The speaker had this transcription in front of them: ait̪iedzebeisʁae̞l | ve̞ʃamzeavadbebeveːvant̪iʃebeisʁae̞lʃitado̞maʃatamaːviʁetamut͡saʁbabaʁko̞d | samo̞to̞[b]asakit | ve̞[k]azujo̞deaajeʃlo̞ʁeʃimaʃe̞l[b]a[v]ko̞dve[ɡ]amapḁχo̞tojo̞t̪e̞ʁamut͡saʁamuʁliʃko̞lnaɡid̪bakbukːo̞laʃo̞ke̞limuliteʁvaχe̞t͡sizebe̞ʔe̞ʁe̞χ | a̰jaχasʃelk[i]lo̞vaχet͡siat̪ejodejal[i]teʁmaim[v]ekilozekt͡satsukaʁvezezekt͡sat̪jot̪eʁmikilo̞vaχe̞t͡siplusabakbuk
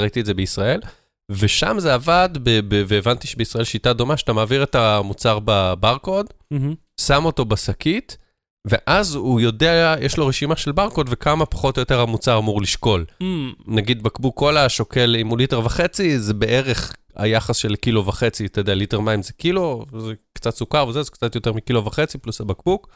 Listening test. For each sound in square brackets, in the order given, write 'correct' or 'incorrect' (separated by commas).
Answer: correct, incorrect, correct, incorrect, incorrect, correct, correct, incorrect